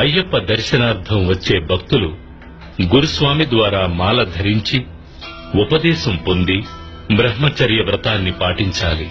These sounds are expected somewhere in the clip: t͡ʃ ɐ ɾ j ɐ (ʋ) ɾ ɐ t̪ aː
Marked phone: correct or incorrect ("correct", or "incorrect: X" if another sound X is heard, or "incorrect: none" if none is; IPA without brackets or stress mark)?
correct